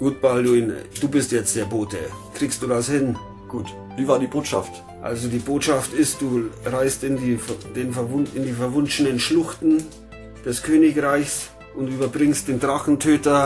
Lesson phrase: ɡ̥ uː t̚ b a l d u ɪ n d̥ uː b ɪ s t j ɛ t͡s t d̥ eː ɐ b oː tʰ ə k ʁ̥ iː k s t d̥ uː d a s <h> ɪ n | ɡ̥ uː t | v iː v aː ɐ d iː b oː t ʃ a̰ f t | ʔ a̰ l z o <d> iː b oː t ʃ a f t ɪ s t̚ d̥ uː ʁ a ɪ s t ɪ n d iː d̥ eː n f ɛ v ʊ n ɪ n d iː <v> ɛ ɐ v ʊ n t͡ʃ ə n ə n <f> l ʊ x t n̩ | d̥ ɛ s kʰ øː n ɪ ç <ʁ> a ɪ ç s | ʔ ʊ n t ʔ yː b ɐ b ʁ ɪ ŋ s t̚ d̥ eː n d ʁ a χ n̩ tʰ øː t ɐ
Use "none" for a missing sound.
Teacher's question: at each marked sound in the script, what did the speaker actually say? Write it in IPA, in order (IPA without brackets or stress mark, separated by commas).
h, d, f, ʃ, ʁ